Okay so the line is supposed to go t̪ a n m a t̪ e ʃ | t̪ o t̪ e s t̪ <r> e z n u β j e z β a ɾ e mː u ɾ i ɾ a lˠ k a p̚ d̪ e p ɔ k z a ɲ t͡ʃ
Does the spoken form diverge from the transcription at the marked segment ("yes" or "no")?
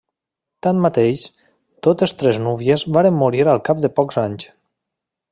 yes